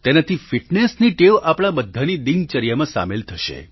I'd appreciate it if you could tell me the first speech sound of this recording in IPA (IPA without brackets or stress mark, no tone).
t̪